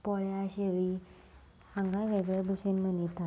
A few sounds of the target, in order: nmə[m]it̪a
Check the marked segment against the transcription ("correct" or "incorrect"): incorrect